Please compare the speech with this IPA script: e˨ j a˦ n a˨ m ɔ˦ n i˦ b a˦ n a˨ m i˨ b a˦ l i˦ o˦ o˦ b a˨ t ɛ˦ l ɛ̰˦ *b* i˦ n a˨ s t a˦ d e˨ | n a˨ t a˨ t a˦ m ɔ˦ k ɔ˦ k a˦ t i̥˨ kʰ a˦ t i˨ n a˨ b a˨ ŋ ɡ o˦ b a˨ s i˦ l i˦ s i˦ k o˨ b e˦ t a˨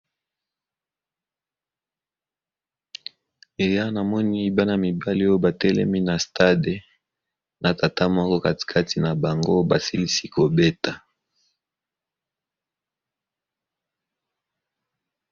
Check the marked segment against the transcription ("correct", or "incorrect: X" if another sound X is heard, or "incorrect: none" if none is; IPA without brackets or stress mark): incorrect: m